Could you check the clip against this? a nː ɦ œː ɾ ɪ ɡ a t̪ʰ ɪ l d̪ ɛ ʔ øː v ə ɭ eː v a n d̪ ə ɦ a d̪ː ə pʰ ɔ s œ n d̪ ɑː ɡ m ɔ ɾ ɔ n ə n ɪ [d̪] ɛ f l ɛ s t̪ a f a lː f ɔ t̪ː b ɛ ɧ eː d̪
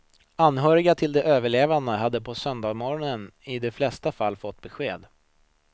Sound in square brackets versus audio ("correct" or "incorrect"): correct